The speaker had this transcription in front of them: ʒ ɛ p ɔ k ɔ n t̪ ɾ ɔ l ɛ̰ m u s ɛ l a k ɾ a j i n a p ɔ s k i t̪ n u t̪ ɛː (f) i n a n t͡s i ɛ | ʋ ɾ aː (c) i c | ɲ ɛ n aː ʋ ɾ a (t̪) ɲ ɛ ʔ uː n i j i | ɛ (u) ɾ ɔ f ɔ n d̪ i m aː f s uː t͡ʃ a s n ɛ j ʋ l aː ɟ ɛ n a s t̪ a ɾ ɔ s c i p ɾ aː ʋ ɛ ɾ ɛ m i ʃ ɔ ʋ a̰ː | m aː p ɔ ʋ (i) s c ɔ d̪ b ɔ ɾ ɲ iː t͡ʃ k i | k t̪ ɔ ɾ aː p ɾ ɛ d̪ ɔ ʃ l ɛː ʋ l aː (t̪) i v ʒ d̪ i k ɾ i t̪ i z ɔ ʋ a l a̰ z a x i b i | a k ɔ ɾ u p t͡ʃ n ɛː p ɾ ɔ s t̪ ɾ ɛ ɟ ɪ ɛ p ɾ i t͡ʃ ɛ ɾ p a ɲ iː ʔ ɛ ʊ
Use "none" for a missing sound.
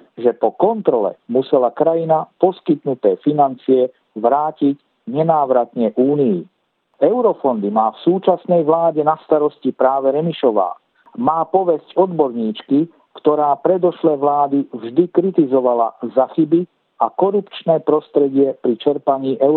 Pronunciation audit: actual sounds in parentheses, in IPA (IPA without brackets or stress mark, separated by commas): f, c, t̪, ʊ, ɛ, d̪